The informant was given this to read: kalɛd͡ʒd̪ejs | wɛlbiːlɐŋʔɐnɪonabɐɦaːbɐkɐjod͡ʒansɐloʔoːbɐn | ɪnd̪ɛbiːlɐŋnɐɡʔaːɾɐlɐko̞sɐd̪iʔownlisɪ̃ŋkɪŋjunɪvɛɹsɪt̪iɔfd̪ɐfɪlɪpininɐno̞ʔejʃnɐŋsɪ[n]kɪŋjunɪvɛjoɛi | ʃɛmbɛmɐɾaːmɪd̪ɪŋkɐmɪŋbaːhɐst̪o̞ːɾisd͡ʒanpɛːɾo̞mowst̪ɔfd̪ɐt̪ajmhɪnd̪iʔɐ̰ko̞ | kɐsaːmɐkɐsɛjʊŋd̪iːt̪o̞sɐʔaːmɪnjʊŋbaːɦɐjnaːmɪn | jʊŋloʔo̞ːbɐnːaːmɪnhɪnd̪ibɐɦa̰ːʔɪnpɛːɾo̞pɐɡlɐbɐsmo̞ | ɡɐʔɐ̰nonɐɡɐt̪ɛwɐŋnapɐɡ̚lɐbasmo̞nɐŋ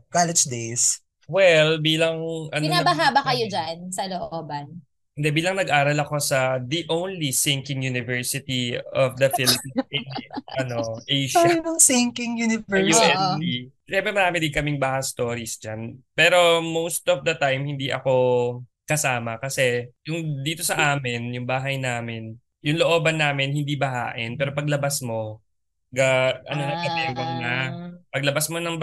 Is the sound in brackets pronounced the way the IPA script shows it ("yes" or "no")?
no